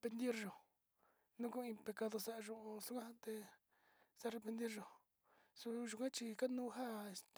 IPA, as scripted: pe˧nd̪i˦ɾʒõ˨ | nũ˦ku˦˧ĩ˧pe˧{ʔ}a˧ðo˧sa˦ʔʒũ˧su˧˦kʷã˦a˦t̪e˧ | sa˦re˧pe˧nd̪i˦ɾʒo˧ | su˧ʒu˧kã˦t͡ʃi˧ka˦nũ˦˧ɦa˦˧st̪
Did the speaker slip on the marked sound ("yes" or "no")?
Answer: yes